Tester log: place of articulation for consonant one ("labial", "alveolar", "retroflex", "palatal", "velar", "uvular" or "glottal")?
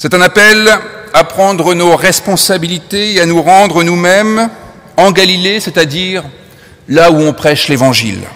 alveolar